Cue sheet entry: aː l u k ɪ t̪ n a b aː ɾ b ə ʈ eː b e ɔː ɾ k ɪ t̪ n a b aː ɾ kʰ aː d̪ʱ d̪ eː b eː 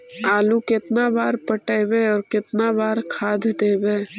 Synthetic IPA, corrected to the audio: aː l u k ɪ t̪ n a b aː ɾ p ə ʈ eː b e ɔː ɾ k ɪ t̪ n a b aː ɾ kʰ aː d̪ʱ d̪ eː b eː